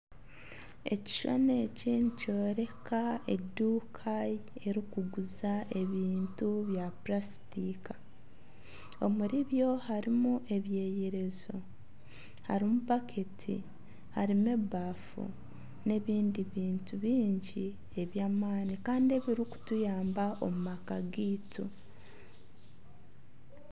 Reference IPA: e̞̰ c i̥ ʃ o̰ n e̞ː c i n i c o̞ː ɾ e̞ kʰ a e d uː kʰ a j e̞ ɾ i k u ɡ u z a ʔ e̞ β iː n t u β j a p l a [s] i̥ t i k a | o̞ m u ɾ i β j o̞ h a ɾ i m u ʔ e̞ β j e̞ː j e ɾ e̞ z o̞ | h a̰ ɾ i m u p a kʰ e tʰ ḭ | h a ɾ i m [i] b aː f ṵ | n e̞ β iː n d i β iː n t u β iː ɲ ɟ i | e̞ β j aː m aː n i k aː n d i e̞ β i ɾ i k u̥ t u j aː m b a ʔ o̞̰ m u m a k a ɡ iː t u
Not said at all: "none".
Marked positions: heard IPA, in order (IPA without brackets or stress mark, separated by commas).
s, e